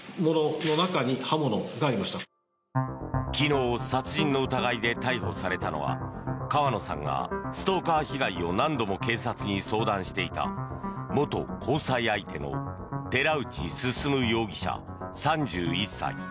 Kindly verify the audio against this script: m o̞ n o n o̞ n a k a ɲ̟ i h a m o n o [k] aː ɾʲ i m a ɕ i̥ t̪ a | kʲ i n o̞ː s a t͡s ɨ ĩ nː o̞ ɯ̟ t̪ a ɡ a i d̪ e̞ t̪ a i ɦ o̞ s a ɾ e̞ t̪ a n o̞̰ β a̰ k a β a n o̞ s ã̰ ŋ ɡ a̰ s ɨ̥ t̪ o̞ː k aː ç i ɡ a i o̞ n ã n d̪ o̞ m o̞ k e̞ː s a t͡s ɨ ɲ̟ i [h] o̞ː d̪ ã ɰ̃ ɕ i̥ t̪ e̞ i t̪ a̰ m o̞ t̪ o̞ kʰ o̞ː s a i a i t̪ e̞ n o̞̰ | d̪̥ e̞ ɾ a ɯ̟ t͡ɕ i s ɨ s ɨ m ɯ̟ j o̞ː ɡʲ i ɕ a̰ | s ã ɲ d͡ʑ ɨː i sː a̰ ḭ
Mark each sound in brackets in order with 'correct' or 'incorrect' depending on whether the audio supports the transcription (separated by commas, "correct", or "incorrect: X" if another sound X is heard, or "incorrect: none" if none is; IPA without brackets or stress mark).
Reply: incorrect: ɡ, incorrect: s